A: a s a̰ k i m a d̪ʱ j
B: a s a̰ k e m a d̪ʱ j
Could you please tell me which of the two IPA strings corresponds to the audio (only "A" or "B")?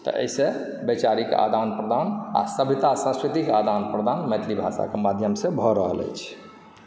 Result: B